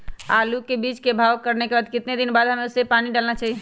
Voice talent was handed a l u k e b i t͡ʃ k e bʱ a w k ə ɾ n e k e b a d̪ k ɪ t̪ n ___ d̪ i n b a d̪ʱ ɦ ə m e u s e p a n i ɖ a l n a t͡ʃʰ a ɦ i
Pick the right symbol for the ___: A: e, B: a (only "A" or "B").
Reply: A